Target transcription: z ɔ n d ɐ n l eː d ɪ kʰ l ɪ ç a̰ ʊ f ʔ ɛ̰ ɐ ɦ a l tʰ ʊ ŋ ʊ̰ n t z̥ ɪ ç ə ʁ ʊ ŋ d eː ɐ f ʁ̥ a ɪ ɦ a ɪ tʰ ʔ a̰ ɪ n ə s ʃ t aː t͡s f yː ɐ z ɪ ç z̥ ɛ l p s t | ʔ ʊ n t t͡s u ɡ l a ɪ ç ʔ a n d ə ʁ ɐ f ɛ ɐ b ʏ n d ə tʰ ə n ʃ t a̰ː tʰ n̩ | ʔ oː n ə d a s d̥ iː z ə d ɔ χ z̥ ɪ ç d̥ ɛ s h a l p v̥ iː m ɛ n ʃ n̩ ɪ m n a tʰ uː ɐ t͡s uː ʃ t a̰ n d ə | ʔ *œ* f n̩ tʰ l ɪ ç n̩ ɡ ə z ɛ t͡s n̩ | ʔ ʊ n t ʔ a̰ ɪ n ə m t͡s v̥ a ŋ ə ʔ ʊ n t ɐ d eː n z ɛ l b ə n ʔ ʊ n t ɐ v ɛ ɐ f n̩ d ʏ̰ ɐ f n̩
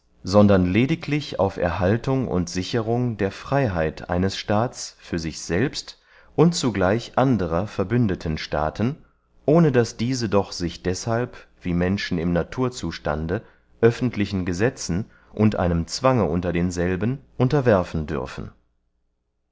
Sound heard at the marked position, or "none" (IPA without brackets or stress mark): œ